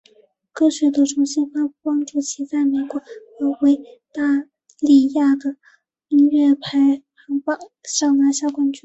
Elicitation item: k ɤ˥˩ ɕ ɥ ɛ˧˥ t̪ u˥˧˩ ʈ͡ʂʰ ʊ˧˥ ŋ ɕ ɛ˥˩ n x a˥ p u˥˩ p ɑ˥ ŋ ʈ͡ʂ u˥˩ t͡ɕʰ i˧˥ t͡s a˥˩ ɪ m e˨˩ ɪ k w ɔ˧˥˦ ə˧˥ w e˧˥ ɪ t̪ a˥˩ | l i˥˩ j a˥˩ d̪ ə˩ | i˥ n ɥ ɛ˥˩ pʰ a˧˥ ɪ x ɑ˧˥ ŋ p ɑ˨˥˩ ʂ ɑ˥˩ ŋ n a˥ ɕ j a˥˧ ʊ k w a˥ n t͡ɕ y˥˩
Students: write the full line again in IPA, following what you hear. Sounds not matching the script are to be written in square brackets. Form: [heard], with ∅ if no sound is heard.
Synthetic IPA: k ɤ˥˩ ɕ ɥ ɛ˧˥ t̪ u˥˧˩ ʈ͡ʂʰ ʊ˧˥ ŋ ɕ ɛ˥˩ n [f] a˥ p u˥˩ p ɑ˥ ŋ ʈ͡ʂ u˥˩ t͡ɕʰ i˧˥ t͡s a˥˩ ɪ m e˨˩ ɪ k w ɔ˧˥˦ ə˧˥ w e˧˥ ɪ t̪ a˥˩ | l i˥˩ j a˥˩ d̪ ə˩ | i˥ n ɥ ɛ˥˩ pʰ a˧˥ ɪ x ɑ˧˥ ŋ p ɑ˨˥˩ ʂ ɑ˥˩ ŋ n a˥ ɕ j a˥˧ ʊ k w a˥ n t͡ɕ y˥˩